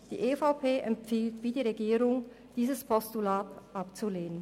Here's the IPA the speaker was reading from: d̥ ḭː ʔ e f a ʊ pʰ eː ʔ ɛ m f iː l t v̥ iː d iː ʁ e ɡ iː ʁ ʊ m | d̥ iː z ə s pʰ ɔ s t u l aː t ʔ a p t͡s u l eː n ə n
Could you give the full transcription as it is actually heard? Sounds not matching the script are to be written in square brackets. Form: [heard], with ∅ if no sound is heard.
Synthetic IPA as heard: d̥ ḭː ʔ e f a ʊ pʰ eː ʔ ɛ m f iː l t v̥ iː d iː ʁ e ɡ iː ʁ ʊ [ŋ] | d̥ iː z ə s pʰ ɔ s t u l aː t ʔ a p t͡s u l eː n ə n

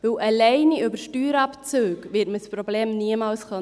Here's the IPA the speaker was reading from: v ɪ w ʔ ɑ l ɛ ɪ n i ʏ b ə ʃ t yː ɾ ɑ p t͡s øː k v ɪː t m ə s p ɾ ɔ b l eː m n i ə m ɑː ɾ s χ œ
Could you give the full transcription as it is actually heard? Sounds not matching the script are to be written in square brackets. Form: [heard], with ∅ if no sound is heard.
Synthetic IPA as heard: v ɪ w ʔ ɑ l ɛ ɪ n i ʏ b ə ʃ t yː ɾ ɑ p t͡s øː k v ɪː t m ə s p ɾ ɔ b l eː m n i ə m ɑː [l] s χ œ

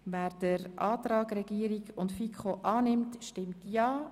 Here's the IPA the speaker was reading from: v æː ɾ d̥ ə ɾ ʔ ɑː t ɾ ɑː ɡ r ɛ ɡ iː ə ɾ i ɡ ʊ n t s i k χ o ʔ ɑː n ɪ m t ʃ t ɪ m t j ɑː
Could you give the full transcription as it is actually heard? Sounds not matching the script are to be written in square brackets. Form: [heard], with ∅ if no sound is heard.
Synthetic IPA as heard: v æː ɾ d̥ ə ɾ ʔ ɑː t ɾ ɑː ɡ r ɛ ɡ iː ə ɾ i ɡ ʊ n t [f] i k χ o ʔ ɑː n ɪ m t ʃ t ɪ m t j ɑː

